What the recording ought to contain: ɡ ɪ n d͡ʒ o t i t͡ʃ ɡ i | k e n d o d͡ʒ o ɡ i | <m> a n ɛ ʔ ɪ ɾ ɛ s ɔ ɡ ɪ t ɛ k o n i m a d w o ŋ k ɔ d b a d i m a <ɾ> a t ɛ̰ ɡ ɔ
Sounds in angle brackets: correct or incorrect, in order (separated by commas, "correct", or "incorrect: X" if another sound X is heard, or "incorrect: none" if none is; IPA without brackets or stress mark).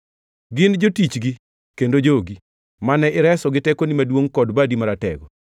correct, correct